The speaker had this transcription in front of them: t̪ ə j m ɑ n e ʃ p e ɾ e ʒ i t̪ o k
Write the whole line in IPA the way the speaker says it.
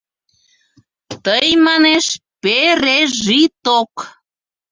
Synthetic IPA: t̪ ə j m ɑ n e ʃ p e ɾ e ʒ i t̪ o k